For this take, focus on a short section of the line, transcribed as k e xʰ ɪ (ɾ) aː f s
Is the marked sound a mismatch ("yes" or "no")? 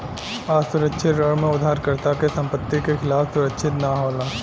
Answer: yes